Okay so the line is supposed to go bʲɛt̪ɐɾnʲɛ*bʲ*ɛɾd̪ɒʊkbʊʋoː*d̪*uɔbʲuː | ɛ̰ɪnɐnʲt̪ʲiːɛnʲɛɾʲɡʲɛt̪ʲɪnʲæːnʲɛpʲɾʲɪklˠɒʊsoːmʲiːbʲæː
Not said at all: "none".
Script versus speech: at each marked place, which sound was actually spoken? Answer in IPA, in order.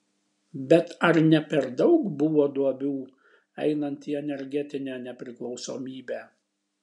pʲ, d̪

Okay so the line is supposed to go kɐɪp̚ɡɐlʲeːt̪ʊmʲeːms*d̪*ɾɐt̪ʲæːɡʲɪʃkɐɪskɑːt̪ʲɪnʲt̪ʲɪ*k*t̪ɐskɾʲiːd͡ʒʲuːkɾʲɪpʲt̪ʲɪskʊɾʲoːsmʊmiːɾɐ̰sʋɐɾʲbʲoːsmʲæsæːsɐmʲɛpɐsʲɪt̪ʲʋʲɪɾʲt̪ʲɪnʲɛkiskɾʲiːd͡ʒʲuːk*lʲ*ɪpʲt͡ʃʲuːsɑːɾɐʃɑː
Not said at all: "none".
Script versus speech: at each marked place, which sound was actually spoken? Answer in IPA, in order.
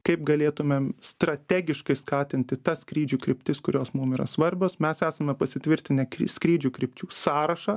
t̪, none, ɾʲ

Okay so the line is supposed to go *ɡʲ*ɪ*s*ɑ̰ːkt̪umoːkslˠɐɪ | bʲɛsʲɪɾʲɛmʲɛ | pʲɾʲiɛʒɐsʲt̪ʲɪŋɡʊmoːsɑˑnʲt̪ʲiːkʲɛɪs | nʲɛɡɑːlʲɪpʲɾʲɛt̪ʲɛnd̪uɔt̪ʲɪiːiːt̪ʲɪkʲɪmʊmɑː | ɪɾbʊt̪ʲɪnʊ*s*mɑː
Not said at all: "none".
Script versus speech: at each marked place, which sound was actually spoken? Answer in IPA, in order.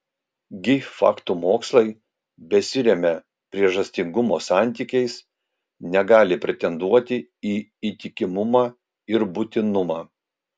ɡʲ, f, none

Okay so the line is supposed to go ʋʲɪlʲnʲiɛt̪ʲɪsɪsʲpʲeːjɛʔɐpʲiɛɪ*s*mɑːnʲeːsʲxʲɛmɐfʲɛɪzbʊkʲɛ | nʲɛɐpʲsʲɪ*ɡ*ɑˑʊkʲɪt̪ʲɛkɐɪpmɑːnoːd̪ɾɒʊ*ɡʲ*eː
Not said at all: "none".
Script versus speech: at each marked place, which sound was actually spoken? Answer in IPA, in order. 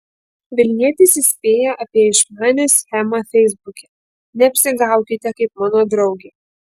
ʃ, ɡ, ɡʲ

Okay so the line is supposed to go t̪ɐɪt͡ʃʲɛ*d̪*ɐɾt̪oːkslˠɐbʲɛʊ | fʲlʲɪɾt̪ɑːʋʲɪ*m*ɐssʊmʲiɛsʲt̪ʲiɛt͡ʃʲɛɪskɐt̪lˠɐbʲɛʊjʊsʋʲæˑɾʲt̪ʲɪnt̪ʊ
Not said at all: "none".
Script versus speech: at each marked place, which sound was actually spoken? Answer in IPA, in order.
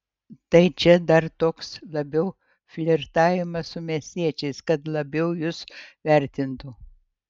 d̪, m

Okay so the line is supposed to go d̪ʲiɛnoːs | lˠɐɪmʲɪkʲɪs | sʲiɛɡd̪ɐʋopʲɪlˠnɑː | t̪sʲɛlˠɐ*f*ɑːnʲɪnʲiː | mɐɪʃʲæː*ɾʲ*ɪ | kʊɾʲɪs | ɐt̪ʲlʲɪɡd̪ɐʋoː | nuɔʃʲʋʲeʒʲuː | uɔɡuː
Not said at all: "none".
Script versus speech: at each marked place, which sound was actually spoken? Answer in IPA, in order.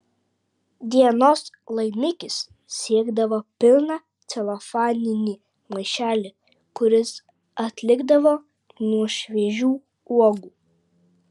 f, lʲ

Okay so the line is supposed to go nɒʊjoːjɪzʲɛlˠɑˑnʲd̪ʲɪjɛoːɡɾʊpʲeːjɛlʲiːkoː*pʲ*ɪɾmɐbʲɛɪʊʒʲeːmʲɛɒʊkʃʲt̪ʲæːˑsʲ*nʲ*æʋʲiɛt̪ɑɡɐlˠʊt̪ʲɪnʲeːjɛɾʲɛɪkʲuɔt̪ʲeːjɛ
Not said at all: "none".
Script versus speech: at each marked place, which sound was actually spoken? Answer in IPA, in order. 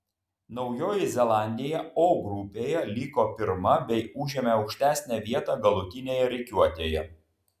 pʲ, nʲ

